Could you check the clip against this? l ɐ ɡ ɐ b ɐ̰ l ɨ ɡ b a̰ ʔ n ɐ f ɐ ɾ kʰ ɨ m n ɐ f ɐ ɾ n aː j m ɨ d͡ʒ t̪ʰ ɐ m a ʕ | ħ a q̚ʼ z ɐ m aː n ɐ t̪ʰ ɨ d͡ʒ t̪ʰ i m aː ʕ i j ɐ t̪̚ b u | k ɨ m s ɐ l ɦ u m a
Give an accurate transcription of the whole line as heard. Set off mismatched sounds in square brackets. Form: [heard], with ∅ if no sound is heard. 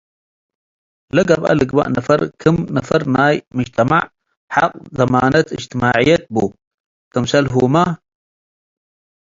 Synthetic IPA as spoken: l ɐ ɡ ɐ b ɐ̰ l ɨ ɡ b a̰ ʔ n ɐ f ɐ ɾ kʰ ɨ m n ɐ f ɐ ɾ n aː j m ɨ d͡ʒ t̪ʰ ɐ m a ʕ | ħ a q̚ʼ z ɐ m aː n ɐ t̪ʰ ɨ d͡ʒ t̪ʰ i m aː ʕ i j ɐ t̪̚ b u | k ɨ m s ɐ l ɦ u m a